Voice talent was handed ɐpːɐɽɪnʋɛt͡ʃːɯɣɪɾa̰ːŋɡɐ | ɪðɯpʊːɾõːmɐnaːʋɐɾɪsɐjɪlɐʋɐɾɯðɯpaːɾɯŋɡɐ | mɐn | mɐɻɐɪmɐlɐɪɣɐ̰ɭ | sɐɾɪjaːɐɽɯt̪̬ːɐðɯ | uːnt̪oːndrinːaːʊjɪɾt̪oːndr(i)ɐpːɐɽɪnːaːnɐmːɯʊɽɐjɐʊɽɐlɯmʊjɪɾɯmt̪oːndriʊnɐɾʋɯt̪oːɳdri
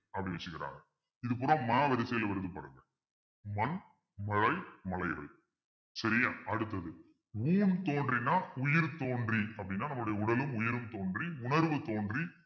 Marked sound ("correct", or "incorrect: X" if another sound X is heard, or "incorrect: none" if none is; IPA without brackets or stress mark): correct